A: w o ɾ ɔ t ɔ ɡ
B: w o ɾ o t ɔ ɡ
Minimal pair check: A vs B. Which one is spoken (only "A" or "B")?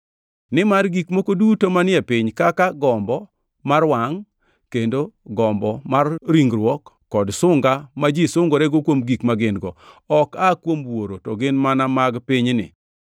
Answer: B